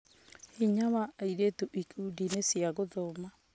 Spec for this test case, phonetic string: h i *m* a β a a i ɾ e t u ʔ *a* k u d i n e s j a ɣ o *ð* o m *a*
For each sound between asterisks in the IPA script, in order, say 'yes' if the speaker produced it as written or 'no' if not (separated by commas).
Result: no, no, yes, yes